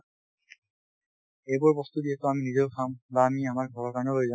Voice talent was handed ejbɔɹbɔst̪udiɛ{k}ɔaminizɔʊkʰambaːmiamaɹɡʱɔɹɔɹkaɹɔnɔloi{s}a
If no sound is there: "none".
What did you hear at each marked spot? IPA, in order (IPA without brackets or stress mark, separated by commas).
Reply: t, z